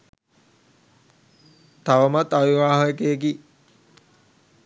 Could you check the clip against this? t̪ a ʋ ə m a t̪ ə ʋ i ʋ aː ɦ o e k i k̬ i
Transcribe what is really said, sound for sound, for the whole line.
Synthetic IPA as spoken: t̪ a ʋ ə m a t̪ a ʋ i ʋ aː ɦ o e k e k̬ i